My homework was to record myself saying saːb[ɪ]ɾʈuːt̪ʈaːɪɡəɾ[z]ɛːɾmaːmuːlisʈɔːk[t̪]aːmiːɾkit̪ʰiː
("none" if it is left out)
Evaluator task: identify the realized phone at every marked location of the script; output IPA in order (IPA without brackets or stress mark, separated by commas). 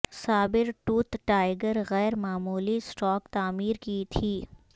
ɪ, ɣ, t̪